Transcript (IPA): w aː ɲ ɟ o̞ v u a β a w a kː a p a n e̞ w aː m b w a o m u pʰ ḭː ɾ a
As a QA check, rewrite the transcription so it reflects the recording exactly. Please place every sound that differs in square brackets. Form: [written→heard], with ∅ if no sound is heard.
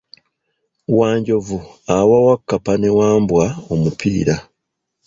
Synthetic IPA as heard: w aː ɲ ɟ o̞ v u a [β→w] a w a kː a p a n e̞ w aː m b w a o m u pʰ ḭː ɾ a